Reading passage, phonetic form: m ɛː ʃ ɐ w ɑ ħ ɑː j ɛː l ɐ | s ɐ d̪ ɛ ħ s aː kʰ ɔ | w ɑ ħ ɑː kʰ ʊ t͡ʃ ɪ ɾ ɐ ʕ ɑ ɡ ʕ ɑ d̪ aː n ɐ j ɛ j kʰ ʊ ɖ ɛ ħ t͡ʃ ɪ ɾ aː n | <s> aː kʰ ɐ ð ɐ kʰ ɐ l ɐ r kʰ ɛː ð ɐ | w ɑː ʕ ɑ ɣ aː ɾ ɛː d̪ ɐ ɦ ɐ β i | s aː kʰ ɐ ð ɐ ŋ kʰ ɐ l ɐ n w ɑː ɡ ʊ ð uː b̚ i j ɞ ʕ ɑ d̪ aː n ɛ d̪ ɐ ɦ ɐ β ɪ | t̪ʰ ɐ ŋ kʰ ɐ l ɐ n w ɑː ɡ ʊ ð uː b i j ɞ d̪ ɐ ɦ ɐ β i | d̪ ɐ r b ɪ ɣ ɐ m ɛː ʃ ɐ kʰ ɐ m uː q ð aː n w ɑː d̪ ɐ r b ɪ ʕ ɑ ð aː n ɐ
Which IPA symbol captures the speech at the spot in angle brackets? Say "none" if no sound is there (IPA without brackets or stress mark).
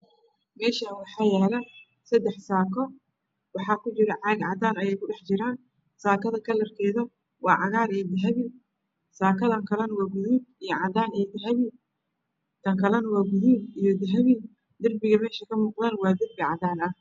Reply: s